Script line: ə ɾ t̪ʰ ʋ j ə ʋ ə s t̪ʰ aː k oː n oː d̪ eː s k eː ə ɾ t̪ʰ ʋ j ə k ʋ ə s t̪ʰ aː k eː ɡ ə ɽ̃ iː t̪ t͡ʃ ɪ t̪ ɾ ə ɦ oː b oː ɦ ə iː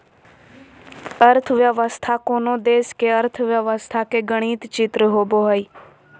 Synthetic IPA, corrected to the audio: ə ɾ t̪ʰ ʋ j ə ʋ ə s t̪ʰ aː k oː n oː d̪ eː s k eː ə ɾ t̪ʰ ʋ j ə ʋ ə s t̪ʰ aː k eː ɡ ə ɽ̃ iː t̪ t͡ʃ ɪ t̪ ɾ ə ɦ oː b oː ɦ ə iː